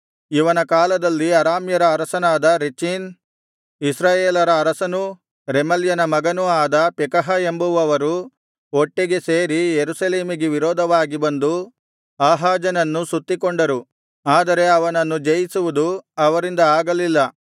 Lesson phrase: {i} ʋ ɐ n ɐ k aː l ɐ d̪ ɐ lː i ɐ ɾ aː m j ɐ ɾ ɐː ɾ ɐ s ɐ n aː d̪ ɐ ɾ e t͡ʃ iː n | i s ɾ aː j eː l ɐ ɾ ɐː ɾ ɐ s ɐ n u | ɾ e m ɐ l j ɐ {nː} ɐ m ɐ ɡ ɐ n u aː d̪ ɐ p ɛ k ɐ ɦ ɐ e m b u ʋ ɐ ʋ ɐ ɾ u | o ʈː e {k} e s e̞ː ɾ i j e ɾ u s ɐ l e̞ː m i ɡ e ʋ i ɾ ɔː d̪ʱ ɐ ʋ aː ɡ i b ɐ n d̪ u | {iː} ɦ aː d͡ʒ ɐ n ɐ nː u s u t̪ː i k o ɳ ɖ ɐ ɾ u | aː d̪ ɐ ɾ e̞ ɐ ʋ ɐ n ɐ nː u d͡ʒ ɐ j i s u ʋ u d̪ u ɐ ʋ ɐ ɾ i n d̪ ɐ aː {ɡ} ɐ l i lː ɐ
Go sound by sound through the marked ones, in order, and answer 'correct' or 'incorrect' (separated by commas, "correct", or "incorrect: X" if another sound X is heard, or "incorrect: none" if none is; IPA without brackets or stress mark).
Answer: correct, incorrect: n, incorrect: ɡ, incorrect: aː, correct